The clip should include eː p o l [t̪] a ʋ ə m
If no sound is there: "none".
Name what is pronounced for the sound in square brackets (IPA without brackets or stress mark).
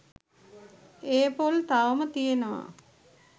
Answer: t̪